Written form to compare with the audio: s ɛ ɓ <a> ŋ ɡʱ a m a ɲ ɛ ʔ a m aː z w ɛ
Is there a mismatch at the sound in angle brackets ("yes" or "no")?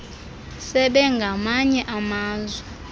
yes